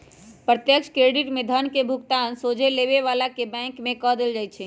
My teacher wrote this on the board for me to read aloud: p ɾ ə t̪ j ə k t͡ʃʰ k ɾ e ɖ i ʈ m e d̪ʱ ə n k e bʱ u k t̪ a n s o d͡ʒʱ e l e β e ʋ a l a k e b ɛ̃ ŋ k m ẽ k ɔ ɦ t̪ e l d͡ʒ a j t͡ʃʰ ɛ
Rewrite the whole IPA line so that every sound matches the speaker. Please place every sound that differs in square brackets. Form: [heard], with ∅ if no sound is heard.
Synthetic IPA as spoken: p ɾ ə t̪ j ə k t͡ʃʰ k ɾ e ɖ i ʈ m e d̪ʱ ə n k e bʱ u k t̪ a n s o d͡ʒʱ e l e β e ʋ a l a k e b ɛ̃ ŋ k m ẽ k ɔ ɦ [d̪] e l d͡ʒ a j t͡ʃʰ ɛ